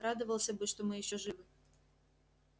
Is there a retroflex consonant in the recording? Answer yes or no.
yes